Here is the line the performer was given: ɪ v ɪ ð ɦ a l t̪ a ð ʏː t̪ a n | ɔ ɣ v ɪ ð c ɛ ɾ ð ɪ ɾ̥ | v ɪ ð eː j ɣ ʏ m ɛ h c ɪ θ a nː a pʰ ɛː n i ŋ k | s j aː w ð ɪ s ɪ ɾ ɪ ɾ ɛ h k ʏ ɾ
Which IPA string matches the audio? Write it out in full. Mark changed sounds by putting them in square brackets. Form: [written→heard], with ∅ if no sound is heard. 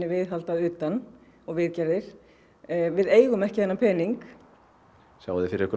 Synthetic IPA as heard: ɪ v ɪ ð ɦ a l t̪ a ð ʏː t̪ a n | ɔ ɣ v ɪ ð c ɛ ɾ ð ɪ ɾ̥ | v ɪ ð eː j ɣ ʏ m ɛ h c ɪ θ [a→ɛ] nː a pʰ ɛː n i ŋ k | s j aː w ð ɪ [s→f] ɪ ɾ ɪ ɾ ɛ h k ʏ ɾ